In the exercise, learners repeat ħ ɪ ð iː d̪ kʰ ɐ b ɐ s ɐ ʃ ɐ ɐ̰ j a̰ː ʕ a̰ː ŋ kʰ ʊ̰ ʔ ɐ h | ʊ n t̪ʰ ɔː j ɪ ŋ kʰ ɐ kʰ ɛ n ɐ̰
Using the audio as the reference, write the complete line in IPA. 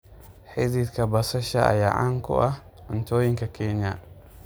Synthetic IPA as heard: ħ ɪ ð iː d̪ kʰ ɐ b ɐ s ɐ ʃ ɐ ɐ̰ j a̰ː ʕ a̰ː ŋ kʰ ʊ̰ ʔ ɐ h | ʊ n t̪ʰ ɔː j ɪ ŋ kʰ ɐ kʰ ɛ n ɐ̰